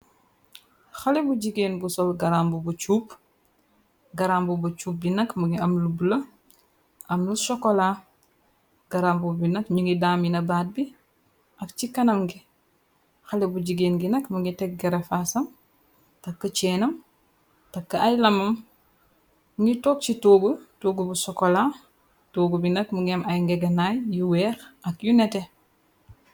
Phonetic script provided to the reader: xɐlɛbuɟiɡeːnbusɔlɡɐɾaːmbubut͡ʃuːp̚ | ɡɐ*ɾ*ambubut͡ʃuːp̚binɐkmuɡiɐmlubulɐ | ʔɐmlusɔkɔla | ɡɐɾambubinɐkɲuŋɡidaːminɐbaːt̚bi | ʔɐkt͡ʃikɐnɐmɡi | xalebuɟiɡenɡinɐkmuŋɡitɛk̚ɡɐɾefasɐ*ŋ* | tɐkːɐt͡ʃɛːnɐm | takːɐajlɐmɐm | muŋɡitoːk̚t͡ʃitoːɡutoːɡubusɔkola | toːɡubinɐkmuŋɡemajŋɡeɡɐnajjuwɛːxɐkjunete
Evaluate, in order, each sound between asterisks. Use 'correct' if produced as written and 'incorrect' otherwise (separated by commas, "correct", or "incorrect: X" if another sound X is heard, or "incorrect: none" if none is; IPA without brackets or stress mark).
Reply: correct, incorrect: m